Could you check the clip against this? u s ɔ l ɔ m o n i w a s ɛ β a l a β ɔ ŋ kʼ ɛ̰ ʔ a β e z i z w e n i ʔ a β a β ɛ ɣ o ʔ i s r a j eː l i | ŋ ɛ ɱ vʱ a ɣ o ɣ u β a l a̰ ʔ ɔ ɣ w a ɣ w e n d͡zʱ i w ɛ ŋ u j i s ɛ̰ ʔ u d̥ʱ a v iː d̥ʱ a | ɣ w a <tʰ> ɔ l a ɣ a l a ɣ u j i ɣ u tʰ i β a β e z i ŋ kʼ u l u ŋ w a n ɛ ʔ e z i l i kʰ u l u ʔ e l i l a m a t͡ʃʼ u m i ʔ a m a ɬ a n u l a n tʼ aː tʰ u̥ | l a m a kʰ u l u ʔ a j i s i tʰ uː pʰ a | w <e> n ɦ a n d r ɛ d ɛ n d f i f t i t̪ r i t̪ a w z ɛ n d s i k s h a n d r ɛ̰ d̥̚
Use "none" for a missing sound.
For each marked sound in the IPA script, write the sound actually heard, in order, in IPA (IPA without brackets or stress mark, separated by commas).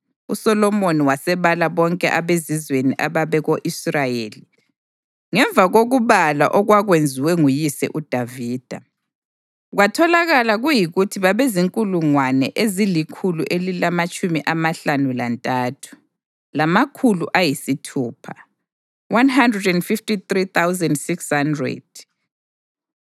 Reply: tʰ, a